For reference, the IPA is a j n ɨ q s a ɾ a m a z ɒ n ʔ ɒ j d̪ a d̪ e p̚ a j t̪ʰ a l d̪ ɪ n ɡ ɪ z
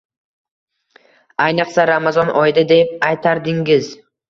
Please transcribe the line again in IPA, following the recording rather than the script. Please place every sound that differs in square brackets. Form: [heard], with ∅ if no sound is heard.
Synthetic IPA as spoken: a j n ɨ q s a ɾ a m a z ɒ n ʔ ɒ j d̪ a d̪ e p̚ a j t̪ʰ a [ɾ] d̪ ɪ [ŋ] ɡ ɪ z